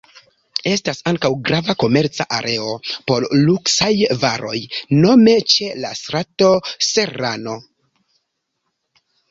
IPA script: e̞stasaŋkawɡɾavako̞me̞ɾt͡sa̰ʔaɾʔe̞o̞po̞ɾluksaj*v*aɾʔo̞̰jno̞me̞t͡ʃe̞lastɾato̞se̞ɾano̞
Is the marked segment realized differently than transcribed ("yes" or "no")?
no